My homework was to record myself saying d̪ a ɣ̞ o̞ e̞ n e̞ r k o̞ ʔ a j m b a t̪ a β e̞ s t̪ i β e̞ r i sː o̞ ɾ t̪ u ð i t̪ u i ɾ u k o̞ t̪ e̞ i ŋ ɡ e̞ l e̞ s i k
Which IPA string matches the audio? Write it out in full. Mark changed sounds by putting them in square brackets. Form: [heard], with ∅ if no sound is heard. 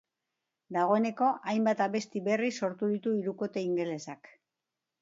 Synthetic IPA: d̪ a ɣ̞ o̞ e̞ n e̞ [∅] k o̞ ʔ a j m b a t̪ a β e̞ s t̪ i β e̞ r i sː o̞ ɾ t̪ u ð i t̪ u i ɾ u k o̞ t̪ e̞ i ŋ ɡ e̞ l e̞ s [a] k